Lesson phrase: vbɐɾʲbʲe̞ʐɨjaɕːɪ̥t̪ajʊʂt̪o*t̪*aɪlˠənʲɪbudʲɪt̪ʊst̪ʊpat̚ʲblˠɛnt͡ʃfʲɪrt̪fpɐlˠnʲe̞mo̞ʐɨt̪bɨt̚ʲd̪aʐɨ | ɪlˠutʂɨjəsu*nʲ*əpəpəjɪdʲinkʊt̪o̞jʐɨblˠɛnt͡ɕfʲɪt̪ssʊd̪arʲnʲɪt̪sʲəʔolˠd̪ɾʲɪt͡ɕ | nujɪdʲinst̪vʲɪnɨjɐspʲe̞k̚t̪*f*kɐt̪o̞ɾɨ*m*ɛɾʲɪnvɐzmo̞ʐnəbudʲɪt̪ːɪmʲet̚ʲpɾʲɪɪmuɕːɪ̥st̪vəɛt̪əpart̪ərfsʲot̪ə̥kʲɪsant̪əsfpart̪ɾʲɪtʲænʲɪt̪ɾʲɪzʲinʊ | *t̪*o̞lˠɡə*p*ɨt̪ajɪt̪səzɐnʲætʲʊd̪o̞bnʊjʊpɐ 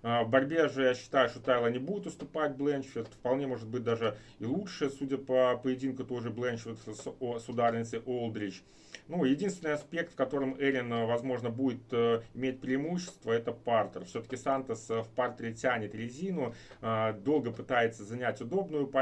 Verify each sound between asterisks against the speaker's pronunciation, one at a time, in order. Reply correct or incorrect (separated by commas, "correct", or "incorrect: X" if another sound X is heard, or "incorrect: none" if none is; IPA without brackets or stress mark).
correct, incorrect: dʲ, correct, correct, incorrect: d̪, correct